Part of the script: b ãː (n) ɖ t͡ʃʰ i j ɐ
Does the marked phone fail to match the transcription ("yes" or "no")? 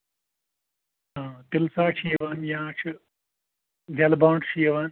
yes